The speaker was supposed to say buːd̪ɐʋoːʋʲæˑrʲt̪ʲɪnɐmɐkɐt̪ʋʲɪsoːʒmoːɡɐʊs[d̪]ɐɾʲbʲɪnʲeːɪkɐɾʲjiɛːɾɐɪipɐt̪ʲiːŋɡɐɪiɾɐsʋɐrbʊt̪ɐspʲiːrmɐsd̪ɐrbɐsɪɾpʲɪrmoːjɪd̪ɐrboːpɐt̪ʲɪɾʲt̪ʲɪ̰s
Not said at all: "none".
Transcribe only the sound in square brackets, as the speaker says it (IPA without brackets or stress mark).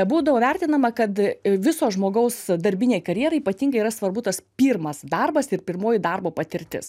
d̪